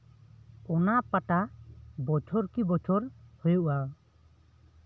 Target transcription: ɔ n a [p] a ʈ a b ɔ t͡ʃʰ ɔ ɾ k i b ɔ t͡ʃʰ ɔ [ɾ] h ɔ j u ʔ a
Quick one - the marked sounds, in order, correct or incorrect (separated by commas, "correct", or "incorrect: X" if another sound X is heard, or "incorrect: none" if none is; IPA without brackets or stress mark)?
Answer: correct, correct